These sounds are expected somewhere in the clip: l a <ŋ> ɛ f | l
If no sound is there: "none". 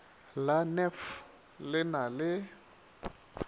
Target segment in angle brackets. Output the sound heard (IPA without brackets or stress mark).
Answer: n